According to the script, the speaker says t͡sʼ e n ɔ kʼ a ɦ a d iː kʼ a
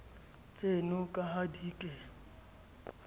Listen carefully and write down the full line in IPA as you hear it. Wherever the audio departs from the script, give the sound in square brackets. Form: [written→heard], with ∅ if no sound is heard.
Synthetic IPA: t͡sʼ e n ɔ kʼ a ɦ a d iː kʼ [a→ɛ]